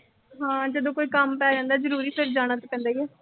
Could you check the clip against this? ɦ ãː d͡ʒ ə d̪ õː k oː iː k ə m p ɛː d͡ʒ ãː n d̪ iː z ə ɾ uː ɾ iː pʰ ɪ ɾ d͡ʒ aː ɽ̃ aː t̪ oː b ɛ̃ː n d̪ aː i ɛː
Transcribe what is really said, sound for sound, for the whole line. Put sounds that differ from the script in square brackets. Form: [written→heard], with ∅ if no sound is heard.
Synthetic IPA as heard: ɦ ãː d͡ʒ ə d̪ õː k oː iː k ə m p ɛː d͡ʒ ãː n d̪ [iː→aː] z ə ɾ uː ɾ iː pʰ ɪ ɾ d͡ʒ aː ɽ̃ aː t̪ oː [b→p] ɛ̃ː n d̪ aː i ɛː